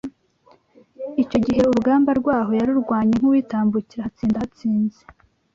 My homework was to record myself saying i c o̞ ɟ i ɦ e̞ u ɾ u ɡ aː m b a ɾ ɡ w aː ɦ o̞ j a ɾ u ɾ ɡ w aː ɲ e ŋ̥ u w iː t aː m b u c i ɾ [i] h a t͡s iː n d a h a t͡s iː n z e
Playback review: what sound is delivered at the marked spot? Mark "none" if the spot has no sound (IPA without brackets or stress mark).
a